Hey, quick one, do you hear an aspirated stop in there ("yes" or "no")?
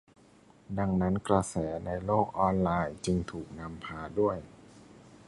yes